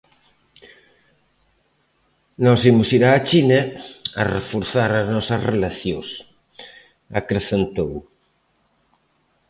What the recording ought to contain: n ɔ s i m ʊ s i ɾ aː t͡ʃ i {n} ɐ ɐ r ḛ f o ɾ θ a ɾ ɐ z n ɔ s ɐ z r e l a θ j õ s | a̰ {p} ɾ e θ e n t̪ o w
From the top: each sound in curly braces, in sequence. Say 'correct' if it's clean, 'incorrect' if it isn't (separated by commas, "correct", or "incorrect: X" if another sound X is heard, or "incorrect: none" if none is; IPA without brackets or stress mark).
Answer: correct, incorrect: k